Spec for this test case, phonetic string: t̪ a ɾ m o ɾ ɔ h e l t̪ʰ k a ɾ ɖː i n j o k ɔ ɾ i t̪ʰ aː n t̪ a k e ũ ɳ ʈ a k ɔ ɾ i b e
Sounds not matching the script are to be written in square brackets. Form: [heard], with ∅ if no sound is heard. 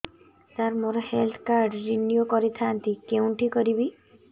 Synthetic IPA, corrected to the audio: t̪ a ɾ m o ɾ ɔ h e l t̪ʰ k a ɾ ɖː i n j o k ɔ ɾ i t̪ʰ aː n t̪ [i] k e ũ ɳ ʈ [i] k ɔ ɾ i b [i]